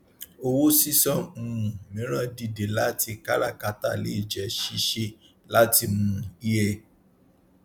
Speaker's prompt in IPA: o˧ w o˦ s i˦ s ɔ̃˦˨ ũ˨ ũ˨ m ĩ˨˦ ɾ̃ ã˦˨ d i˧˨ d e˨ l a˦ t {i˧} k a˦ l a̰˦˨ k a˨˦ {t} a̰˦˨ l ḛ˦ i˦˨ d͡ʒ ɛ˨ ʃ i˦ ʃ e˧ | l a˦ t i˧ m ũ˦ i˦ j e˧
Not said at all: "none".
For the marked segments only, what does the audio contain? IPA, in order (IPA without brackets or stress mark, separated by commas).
i˧, t